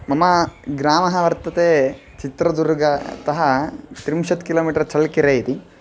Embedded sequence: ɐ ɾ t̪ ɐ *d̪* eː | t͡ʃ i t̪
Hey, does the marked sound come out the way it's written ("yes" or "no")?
no